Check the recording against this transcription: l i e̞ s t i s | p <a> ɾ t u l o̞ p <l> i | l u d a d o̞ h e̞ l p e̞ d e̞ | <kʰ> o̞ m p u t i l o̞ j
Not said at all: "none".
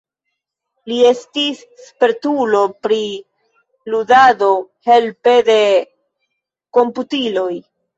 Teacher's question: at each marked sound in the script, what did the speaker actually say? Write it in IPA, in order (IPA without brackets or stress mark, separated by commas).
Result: e, ɾ, k